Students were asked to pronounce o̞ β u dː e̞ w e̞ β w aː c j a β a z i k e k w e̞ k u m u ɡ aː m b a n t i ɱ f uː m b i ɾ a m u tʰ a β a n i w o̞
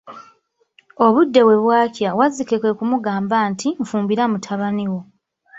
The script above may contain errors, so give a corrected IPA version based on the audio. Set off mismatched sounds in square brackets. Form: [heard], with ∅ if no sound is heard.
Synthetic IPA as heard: o̞ β u dː e̞ w e̞ β w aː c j a [w] a z i k e k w e̞ k u m u ɡ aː m b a n t i ɱ f uː m b i ɾ a m u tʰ a β a n i w o̞